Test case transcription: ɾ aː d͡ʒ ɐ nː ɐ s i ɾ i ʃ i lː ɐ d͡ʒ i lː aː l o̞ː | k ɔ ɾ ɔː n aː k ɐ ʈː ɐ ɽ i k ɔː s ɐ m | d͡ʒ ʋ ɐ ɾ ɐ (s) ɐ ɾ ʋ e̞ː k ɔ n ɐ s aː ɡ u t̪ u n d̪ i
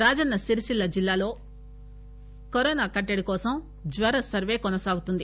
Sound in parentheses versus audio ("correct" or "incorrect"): correct